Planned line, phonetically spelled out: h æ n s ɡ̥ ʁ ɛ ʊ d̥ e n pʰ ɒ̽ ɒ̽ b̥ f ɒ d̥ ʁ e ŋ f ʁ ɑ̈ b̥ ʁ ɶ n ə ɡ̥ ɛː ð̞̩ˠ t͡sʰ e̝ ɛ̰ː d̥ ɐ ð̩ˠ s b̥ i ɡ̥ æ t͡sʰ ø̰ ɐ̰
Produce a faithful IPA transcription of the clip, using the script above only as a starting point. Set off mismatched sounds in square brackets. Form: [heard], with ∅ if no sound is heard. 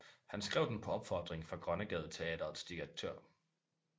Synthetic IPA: h æ n s ɡ̥ ʁ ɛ ʊ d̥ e n pʰ ɒ̽ ɒ̽ b̥ f ɒ d̥ ʁ e ŋ f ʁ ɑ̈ [ɡ̥] ʁ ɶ n ə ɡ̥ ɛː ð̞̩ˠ t͡sʰ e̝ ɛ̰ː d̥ ɐ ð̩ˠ s [d̥] i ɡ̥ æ t͡sʰ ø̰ ɐ̰